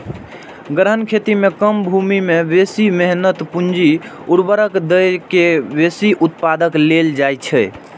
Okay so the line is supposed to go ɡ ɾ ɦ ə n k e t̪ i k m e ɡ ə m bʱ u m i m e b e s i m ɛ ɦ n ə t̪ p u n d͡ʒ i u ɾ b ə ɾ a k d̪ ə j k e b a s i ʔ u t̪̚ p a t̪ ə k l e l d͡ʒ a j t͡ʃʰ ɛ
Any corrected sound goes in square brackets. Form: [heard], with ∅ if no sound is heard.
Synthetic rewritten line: ɡ ɾ ɦ ə n [kʰ] e t̪ i [∅] m e [k] ə m bʱ u m i m e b e s i m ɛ ɦ n ə t̪ p u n d͡ʒ i u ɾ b ə ɾ [ə] k d̪ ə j k e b [e] s i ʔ u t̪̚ p a [d̪] ə k l e l d͡ʒ a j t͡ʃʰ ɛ